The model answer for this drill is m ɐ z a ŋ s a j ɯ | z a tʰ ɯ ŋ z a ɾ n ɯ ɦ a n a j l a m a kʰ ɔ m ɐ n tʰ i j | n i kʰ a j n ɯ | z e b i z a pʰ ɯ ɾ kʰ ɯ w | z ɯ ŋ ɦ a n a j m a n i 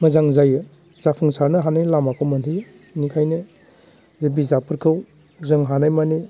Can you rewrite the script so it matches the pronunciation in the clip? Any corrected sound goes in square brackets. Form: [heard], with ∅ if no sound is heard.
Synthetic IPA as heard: m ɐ z a ŋ [z] a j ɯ | z a [pʰ] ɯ ŋ [s] a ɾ n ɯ ɦ a n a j l a m a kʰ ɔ m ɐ n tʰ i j | n i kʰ a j n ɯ | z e b i z a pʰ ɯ ɾ kʰ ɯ w | z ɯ ŋ ɦ a n a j m a n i